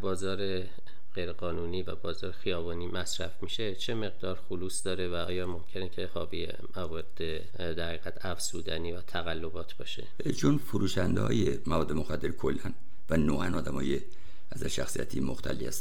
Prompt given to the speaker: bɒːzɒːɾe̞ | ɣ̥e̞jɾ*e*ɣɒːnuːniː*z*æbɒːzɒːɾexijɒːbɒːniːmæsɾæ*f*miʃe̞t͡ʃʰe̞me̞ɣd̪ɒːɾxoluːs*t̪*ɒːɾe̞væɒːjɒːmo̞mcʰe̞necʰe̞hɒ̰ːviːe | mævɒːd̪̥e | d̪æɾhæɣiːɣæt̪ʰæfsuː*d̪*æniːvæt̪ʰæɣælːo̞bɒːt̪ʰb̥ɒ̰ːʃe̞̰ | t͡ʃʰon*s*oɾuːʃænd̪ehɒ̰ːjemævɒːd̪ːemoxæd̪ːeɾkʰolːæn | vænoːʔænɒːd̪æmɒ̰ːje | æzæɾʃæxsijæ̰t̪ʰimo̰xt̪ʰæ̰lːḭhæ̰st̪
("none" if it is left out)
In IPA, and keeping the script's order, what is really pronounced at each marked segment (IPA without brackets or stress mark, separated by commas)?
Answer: e, v, f, d̪, d̪, f